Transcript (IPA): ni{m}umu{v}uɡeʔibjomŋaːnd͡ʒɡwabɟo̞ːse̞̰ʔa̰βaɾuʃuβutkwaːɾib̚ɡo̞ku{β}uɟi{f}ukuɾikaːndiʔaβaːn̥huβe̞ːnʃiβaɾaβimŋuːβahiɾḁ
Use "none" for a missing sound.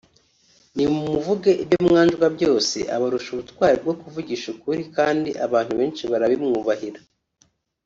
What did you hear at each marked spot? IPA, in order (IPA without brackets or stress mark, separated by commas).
m, v, v, ʃ